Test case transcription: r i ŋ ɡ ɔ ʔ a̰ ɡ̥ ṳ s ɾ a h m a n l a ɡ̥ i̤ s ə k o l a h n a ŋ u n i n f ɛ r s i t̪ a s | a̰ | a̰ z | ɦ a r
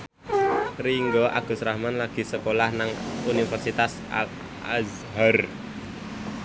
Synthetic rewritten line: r i ŋ ɡ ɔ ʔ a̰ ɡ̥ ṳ s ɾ a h m a n l a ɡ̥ i̤ s ə k o l a h n a ŋ u n i f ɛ r s i t̪ a s | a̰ | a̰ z | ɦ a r